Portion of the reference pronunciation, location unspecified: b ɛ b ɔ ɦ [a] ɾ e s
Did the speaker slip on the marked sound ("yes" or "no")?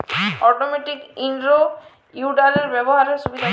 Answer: no